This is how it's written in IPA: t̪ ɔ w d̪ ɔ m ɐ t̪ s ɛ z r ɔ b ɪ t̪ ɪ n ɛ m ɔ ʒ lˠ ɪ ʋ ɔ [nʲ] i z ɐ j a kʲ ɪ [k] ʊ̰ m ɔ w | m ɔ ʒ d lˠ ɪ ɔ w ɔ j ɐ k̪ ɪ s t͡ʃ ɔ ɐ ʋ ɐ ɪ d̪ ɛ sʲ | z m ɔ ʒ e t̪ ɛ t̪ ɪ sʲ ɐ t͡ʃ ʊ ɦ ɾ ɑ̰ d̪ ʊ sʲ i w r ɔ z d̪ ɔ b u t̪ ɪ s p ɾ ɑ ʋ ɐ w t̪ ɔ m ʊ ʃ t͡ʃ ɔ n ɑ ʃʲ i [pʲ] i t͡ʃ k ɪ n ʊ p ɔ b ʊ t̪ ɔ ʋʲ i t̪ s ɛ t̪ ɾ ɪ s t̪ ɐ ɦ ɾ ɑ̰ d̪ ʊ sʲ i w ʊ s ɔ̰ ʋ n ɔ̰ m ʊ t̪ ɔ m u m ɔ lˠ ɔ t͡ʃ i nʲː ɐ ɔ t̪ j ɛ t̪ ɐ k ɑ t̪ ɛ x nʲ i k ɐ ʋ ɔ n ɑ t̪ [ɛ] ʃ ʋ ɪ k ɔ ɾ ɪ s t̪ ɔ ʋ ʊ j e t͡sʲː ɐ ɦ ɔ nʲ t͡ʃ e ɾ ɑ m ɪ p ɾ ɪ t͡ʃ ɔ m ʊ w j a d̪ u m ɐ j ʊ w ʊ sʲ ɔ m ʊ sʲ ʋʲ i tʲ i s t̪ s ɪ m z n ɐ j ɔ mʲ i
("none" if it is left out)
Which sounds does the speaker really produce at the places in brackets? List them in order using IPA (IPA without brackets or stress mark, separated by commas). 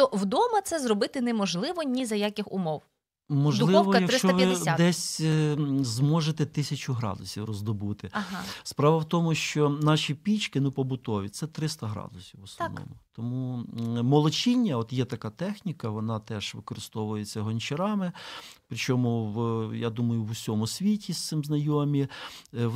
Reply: nʲ, x, pʲ, ɛ